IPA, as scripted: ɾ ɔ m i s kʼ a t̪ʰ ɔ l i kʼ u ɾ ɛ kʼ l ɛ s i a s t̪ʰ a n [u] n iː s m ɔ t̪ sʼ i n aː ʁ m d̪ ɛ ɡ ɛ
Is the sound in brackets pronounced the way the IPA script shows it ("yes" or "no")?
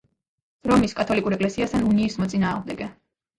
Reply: yes